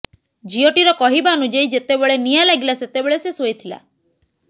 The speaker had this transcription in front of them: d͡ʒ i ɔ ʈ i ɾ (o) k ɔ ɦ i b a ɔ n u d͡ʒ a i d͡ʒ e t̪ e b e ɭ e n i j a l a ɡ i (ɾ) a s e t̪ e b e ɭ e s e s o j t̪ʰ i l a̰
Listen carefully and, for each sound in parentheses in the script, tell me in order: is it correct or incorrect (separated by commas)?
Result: incorrect, incorrect